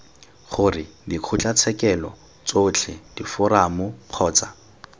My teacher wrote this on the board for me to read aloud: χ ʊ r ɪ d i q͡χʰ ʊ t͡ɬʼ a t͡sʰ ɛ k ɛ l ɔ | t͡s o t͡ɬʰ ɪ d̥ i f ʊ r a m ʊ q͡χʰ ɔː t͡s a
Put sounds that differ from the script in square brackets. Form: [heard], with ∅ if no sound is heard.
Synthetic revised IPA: χ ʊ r ɪ d i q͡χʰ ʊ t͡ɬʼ a t͡sʰ ɛ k ɛ l ɔ | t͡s o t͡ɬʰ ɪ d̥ i f ʊ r a m ʊ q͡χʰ ɔː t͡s a